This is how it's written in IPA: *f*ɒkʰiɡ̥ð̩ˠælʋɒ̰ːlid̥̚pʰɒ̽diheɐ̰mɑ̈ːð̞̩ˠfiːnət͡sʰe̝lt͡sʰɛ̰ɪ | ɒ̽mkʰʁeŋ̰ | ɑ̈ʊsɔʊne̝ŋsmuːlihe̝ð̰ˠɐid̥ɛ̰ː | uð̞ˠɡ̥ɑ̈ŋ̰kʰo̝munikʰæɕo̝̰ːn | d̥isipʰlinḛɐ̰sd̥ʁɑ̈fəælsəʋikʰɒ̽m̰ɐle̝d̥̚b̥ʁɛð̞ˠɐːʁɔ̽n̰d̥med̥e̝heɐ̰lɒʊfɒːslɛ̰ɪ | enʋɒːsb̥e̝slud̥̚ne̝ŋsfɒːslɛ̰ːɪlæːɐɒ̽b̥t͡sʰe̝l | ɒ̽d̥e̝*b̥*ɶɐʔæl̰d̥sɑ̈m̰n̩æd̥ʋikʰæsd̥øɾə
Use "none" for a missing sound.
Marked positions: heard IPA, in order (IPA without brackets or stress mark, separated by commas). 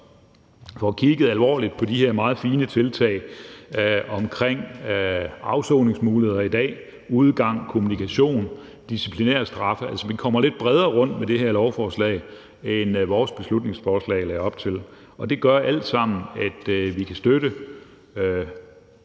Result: f, ɡ̥